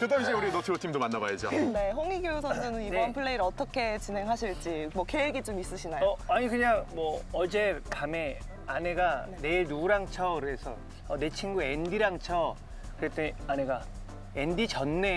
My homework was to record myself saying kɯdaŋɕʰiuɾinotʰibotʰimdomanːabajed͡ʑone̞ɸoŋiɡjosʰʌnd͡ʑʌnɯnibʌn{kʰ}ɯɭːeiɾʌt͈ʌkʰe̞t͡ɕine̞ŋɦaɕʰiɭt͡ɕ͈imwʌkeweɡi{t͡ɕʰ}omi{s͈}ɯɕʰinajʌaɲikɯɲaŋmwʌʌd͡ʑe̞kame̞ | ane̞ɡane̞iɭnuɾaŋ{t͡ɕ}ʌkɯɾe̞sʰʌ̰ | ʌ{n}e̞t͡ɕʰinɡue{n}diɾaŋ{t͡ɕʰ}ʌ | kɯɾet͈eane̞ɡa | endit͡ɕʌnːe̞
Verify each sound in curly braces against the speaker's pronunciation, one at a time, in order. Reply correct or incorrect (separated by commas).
incorrect, incorrect, correct, incorrect, correct, correct, correct